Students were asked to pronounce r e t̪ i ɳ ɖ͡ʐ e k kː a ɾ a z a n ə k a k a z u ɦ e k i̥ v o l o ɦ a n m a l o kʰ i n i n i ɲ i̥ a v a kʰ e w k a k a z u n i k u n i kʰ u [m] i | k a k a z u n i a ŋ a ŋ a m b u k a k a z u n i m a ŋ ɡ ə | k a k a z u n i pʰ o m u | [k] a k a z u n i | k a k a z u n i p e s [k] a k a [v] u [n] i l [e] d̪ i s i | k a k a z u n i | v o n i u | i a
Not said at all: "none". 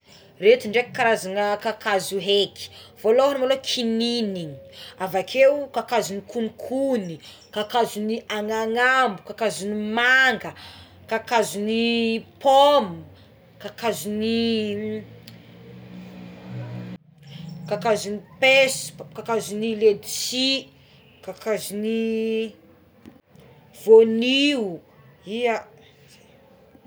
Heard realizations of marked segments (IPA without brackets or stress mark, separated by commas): n, k, k, z, n, e